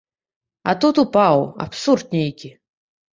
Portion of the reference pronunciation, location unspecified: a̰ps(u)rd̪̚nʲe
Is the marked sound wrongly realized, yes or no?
no